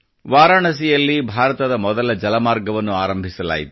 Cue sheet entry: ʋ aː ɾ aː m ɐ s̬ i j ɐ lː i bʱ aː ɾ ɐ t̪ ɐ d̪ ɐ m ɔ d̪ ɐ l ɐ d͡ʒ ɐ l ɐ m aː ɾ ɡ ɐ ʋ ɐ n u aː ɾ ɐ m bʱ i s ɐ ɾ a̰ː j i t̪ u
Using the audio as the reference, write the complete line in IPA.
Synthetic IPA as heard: ʋ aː ɾ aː ɳ ɐ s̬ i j ɐ lː i bʱ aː ɾ ɐ t̪ ɐ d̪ ɐ m ɔ d̪ ɐ l ɐ d͡ʒ ɐ l ɐ m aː ɾ ɡ ɐ ʋ ɐ nː u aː ɾ ɐ m bʱ i s ɐ l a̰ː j i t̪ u